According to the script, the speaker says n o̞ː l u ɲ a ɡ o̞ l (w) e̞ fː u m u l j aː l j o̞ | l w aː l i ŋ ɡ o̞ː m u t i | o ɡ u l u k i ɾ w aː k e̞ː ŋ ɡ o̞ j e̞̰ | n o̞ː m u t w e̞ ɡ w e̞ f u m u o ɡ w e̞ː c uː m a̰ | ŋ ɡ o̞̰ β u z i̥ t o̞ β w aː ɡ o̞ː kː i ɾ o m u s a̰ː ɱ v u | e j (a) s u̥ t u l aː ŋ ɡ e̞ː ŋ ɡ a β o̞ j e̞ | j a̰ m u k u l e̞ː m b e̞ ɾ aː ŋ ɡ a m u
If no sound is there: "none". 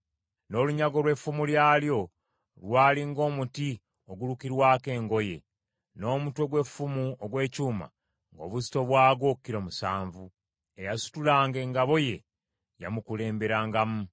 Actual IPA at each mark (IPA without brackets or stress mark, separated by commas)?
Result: w, a